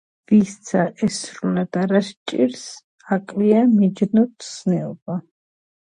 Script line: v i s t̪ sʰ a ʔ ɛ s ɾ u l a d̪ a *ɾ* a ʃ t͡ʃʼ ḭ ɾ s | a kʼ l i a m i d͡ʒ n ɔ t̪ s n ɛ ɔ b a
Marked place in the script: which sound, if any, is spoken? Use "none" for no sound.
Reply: ɾ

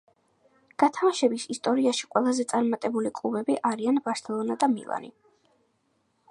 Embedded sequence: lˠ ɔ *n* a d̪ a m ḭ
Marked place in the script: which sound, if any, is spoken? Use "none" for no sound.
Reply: n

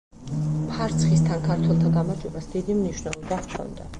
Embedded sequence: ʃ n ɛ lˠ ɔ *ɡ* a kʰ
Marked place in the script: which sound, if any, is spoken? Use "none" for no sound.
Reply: b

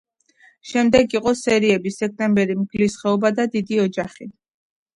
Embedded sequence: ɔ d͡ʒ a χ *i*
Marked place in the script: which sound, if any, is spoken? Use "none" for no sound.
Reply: i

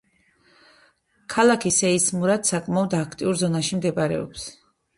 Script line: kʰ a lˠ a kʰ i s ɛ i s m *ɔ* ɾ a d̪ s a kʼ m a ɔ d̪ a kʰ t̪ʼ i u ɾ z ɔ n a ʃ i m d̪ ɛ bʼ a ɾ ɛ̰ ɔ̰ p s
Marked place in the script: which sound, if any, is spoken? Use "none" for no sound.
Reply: u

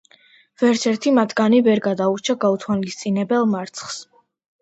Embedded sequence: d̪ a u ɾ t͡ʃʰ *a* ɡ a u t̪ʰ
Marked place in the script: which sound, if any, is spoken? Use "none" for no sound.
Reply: a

